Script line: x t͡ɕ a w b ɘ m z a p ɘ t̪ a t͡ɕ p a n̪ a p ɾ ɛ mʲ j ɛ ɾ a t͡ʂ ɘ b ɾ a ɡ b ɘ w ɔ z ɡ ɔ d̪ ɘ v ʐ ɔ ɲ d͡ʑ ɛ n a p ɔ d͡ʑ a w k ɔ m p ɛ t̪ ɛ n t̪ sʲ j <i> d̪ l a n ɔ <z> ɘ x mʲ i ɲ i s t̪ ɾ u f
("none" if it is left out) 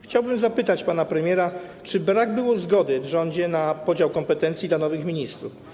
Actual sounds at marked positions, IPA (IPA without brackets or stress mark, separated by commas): i, v